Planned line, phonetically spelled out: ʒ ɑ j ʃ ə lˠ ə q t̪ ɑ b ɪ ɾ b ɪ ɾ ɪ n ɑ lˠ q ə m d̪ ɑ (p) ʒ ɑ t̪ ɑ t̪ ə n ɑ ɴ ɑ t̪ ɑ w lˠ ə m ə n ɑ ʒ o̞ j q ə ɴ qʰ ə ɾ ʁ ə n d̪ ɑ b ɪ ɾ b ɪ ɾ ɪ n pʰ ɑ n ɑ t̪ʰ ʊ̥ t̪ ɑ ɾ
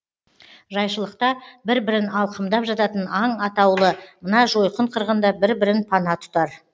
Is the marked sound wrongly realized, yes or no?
no